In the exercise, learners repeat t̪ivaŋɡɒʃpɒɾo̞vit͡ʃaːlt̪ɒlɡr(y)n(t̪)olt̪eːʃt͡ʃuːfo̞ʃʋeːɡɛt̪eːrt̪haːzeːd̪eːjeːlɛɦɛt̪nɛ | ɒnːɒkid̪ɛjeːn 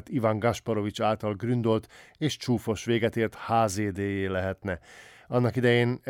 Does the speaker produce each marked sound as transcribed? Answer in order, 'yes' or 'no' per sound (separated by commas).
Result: yes, no